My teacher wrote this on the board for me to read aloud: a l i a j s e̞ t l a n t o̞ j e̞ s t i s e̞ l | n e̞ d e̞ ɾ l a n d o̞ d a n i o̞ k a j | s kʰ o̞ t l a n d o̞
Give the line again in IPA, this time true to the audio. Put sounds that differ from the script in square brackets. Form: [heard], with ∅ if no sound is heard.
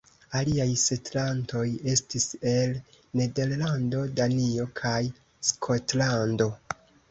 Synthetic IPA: a l i a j s e̞ t l a n t o̞ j e̞ s t i s e̞ l | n e̞ d e̞ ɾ l a n d o̞ d a n i o̞ [kʰ] a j | s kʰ o̞ t l a n d o̞

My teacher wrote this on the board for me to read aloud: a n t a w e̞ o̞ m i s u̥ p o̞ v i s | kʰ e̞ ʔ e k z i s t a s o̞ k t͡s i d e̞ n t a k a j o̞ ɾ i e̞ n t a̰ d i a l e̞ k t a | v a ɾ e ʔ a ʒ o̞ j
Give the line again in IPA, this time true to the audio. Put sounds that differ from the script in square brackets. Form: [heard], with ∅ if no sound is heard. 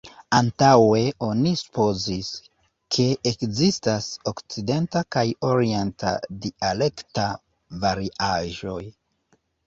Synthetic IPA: a n t a w e̞ o̞ [n] i s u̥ p o̞ [z] i s | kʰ e̞ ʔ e k z i s t a s o̞ k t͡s i d e̞ n t a k a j o̞ ɾ i e̞ n t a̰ d i a l e̞ k t a | v a ɾ [i] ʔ a ʒ o̞ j

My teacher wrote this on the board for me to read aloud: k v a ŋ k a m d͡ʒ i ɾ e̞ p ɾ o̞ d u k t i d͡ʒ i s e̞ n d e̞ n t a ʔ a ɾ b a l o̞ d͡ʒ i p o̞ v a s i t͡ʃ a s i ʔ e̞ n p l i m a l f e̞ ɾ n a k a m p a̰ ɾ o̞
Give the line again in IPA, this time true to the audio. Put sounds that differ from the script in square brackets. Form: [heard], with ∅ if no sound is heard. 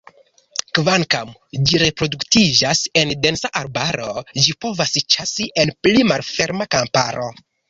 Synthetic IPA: k v a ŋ k a m d͡ʒ i ɾ e̞ p ɾ o̞ d u k t i d͡ʒ [a] s e̞ n d e̞ n [s] a ʔ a ɾ b a [ɾ] o̞ d͡ʒ i p o̞ v a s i t͡ʃ a s i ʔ e̞ n p l i m a l f e̞ ɾ [m] a k a m p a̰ ɾ o̞

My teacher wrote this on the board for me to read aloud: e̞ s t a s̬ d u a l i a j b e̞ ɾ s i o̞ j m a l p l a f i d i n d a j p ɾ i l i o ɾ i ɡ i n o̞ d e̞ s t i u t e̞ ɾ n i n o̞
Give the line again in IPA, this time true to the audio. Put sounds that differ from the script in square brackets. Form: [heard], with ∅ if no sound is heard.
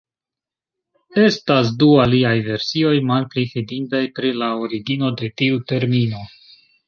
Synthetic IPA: e̞ s t a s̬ d u a l i a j [v] e̞ ɾ s i o̞ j m a l p l [i] f i d i n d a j p ɾ i l [a] o ɾ i ɡ i n o̞ d e̞ [∅] t i u t e̞ ɾ [m] i n o̞

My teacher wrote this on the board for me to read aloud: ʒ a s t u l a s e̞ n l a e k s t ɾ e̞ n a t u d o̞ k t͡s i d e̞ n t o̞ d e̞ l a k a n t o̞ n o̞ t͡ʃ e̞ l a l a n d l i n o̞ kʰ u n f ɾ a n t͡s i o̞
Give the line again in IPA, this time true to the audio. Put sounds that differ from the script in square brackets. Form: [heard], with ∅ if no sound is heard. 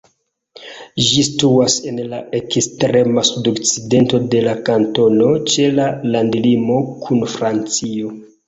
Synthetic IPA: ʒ [i] s t u [∅] a s e̞ n l a e k s t ɾ e̞ [m] a [s] u d o̞ k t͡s i d e̞ n t o̞ d e̞ l a k a n t o̞ n o̞ t͡ʃ e̞ l a l a n d l i [m] o̞ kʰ u n f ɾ a n t͡s i o̞

